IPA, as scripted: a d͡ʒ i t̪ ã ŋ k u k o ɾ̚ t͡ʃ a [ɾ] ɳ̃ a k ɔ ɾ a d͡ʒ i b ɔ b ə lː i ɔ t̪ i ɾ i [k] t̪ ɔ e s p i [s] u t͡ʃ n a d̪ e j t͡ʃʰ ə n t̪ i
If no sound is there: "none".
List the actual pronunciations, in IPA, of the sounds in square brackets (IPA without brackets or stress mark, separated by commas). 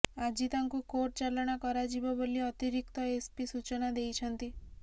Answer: l, k, s